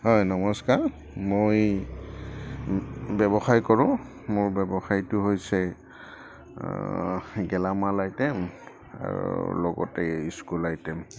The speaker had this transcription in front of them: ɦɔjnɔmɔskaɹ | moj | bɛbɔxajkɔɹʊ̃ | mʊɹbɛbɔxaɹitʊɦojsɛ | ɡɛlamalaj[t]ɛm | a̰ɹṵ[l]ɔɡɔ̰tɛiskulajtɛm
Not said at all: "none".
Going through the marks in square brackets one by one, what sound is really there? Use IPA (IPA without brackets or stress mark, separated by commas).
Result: t, l